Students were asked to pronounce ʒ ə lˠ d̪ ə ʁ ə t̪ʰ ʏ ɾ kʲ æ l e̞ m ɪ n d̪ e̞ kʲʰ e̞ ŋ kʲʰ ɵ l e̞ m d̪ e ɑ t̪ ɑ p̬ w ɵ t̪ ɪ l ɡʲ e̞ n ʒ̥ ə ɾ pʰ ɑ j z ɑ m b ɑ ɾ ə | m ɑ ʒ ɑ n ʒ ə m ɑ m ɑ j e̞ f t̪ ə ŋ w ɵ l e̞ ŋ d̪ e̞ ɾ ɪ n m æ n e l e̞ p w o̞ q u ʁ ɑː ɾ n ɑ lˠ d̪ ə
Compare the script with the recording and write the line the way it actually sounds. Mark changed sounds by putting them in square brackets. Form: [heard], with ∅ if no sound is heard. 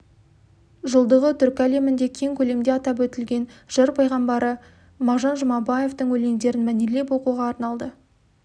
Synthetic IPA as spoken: ʒ ə lˠ d̪ ə ʁ ə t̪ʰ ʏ ɾ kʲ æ l e̞ m ɪ n d̪ e̞ kʲʰ e̞ ŋ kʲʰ ɵ l e̞ m d̪ e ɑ t̪ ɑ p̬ w ɵ t̪ ɪ l ɡʲ e̞ n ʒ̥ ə ɾ pʰ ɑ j [ʁ] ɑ m b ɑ ɾ ə | m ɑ ʒ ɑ n ʒ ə m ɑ [b] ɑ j e̞ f t̪ ə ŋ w ɵ l e̞ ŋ d̪ e̞ ɾ ɪ n m æ n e l e̞ p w o̞ q u ʁ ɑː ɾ n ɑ lˠ d̪ ə

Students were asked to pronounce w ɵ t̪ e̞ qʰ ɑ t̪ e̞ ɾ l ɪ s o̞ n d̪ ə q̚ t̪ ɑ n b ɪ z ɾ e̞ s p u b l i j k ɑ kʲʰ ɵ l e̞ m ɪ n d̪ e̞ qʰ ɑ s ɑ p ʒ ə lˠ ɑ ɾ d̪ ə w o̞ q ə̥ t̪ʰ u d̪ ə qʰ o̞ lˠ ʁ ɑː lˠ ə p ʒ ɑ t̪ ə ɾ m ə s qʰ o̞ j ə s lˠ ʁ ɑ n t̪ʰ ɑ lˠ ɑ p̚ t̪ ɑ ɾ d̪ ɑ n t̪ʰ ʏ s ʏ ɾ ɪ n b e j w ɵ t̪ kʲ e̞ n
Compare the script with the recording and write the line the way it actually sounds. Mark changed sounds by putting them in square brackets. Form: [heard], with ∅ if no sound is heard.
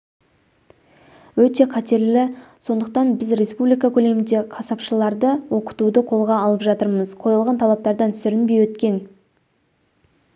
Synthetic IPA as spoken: w ɵ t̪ e̞ qʰ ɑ t̪ e̞ ɾ l ɪ s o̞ n d̪ ə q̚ t̪ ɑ n b ɪ z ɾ e̞ s p u b l i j k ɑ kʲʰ ɵ l e̞ m ɪ n d̪ e̞ qʰ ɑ s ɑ p [ʃ] ə lˠ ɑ ɾ d̪ ə w o̞ q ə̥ [t̪] u d̪ ə qʰ o̞ lˠ ʁ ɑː lˠ ə p ʒ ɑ t̪ ə ɾ m ə [z] qʰ o̞ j ə [∅] lˠ ʁ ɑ n t̪ʰ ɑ lˠ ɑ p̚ t̪ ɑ ɾ d̪ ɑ n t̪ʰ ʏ s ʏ ɾ ɪ n b e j w ɵ t̪ kʲ e̞ n

